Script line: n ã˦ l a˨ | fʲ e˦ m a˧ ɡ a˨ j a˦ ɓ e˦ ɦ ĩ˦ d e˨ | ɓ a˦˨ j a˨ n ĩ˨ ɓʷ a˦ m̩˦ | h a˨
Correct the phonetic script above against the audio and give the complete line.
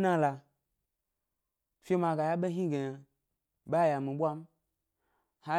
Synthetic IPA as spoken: n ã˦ l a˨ | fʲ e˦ m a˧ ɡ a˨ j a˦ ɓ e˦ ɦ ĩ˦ ɡ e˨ | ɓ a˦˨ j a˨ m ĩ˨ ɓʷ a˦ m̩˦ | h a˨